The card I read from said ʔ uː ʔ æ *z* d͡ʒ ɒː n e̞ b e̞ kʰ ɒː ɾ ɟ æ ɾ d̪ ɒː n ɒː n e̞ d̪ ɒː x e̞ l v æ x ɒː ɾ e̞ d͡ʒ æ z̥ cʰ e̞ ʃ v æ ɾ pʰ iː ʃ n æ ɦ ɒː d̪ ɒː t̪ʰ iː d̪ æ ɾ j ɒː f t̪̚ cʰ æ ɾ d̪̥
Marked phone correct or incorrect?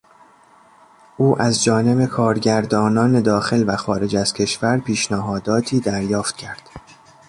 correct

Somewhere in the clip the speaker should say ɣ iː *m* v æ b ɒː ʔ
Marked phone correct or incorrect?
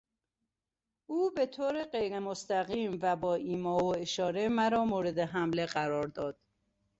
correct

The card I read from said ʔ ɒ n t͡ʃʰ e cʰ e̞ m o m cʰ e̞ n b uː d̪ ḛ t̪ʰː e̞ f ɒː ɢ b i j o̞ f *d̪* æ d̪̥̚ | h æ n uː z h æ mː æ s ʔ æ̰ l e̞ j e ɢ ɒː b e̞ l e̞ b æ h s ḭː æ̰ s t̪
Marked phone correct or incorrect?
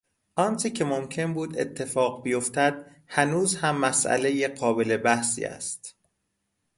incorrect: t̪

